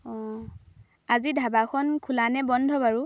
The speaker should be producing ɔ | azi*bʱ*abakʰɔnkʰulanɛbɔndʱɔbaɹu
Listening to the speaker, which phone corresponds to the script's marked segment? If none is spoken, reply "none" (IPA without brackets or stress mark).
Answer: dʱ